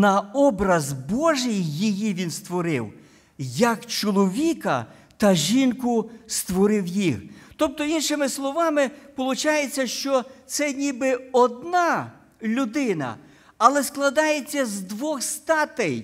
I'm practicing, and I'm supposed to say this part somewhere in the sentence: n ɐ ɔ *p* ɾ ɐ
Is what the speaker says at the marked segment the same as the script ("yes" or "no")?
no